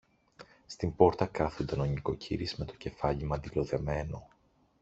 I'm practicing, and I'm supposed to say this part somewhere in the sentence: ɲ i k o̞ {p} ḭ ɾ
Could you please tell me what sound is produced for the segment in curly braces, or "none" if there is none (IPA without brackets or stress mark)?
c